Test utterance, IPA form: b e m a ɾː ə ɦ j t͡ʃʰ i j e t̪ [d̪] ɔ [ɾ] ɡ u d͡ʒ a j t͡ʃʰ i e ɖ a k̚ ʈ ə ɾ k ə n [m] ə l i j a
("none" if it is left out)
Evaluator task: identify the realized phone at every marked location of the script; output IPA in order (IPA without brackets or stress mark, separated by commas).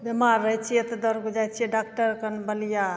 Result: d̪, ɾ, b